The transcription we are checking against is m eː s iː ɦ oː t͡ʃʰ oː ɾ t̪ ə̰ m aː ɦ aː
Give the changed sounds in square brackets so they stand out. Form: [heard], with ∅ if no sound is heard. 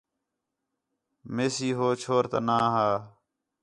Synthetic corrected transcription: m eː s iː ɦ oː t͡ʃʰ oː ɾ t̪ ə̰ [n] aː ɦ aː